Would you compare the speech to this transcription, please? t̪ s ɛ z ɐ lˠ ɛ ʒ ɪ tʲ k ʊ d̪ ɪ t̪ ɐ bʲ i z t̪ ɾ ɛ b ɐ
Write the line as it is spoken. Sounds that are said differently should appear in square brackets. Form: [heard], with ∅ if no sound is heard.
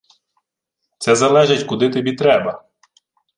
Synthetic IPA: t̪ s ɛ z ɐ lˠ ɛ ʒ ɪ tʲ k ʊ d̪ ɪ t̪ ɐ bʲ i [∅] t̪ ɾ ɛ b ɐ